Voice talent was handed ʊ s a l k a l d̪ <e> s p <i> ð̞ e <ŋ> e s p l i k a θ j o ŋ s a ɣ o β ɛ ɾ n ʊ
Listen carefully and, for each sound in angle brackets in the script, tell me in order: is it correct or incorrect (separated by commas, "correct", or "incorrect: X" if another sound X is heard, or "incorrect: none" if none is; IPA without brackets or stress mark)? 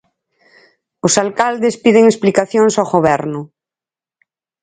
correct, correct, correct